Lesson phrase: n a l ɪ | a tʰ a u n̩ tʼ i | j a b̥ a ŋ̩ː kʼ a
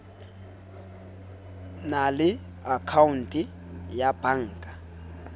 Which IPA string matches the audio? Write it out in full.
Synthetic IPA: n a l ɪ | a kʰ a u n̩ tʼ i | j a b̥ a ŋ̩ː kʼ a